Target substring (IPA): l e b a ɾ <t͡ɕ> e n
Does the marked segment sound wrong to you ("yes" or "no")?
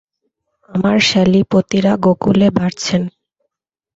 yes